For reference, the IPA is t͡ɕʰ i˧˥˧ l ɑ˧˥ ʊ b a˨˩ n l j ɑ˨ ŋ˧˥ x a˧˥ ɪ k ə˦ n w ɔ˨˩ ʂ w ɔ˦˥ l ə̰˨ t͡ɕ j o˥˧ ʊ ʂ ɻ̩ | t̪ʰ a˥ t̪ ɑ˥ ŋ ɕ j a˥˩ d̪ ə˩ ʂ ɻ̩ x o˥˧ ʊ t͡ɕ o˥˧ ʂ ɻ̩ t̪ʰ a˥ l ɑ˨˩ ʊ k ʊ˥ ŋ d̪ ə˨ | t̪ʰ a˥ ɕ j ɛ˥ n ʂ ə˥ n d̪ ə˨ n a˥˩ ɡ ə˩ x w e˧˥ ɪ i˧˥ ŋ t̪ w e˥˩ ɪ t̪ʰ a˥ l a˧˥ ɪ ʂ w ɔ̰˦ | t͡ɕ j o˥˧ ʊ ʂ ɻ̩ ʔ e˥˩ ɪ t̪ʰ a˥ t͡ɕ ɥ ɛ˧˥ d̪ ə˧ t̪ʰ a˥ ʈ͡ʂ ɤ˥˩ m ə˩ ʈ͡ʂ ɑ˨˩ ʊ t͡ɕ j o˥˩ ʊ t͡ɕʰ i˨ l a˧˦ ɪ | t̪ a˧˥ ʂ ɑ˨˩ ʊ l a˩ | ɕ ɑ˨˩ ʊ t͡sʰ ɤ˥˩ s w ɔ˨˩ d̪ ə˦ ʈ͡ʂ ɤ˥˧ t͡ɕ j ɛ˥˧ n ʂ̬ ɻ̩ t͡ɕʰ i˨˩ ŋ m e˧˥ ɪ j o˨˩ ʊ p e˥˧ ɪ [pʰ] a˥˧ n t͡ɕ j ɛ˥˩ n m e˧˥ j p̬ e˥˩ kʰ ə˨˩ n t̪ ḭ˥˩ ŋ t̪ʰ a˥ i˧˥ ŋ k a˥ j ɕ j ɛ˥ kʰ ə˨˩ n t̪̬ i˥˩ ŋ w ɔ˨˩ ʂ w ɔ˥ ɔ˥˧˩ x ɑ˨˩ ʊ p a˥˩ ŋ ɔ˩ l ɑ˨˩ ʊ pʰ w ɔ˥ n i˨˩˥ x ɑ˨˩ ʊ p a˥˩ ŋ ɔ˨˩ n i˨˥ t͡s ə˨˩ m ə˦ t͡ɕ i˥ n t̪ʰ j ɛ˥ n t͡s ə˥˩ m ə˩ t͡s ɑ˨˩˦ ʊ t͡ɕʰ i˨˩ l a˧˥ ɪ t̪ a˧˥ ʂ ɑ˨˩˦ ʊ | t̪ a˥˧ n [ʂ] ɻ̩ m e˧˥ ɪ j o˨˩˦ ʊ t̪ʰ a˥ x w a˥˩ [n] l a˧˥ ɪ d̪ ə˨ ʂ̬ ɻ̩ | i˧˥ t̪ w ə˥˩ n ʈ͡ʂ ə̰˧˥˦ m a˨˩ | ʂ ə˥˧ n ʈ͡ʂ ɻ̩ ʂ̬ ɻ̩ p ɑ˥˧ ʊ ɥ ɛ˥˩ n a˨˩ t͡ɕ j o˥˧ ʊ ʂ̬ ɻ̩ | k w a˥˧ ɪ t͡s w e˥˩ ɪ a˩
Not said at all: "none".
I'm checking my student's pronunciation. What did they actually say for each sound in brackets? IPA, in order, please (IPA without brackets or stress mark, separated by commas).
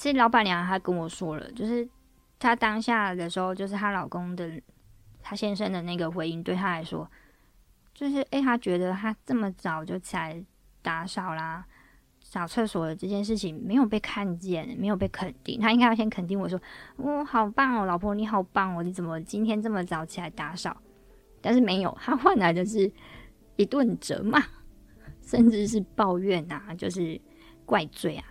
kʰ, ʂ, n